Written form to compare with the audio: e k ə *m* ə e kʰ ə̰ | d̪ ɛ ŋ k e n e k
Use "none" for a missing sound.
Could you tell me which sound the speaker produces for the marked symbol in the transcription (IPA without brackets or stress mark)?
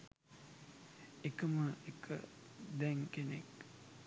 m